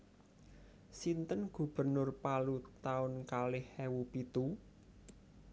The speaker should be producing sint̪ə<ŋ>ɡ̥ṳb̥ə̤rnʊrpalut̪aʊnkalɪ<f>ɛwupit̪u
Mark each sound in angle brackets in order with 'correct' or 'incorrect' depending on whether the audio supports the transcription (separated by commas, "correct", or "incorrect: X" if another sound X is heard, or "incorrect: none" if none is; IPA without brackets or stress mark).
incorrect: n, incorrect: h